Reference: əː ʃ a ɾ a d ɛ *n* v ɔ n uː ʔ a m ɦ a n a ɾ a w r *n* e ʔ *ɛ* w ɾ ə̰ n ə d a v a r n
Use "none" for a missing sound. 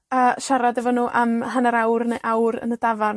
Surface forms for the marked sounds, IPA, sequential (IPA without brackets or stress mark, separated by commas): none, n, a